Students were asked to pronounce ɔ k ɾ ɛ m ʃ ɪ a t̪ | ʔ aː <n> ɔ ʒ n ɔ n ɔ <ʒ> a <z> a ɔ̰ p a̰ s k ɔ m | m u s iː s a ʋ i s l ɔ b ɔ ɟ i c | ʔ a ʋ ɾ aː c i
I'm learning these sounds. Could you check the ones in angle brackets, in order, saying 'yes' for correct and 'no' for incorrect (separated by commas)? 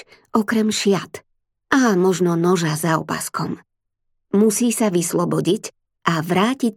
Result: no, yes, yes